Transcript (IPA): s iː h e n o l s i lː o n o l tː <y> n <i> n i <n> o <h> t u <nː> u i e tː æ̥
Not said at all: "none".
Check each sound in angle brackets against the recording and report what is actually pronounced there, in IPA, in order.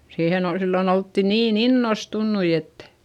i, iː, nː, s, nː

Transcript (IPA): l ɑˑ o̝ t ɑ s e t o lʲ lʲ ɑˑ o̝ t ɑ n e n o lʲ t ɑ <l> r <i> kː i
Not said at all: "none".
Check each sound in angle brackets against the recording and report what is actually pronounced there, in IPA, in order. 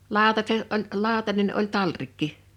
l, i

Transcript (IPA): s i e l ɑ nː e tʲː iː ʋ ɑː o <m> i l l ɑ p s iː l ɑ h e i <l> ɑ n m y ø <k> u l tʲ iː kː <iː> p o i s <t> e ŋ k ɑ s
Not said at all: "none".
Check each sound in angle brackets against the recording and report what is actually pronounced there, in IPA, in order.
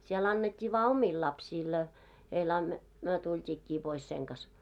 m, l, t, iː, s

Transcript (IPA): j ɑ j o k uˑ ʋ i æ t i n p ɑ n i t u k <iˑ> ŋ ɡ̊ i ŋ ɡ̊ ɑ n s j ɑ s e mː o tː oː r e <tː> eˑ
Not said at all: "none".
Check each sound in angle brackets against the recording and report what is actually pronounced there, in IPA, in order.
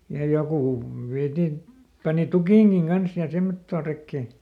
iˑ, kː

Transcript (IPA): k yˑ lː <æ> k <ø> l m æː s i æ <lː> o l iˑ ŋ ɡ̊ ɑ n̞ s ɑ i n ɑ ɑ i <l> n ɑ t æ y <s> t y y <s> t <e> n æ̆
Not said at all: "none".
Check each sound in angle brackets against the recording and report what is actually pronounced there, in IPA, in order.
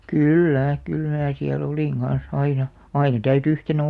æ, y, l, none, none, h, e

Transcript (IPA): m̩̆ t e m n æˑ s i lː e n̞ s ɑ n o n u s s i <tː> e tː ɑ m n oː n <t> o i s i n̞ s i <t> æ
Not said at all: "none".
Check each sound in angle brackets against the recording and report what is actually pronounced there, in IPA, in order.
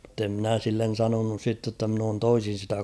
tː, t, t

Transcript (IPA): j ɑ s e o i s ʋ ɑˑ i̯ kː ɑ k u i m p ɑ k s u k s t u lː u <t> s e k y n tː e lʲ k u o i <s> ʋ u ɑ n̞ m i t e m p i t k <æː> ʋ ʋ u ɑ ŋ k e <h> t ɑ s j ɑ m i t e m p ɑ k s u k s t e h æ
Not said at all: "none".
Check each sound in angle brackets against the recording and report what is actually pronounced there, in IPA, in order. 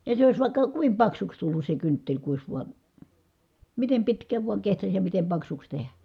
s, s, æː, h

